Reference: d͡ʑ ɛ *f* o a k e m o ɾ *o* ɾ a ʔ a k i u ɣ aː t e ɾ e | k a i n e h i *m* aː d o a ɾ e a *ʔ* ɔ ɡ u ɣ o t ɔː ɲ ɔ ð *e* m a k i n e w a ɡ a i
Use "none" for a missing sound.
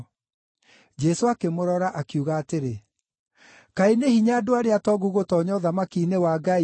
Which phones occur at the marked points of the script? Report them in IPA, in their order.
s, ɔ, ɲ, t, a

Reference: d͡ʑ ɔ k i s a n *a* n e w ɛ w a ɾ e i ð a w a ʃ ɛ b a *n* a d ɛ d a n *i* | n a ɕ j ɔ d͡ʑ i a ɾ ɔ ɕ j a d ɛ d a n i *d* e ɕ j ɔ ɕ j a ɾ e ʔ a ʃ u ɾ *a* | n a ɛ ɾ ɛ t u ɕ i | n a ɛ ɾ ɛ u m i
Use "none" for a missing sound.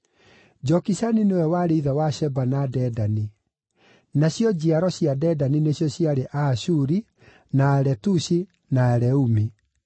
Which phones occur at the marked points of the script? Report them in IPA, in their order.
i, n, i, n, i

